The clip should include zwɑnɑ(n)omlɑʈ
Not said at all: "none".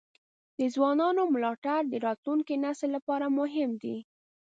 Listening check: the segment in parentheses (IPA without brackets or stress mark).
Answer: n